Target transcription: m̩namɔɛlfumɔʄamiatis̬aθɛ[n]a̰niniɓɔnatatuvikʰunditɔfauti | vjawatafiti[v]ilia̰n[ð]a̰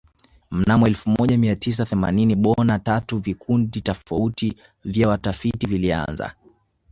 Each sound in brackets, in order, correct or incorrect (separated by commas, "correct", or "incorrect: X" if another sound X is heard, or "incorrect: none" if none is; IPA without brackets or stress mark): incorrect: m, correct, incorrect: z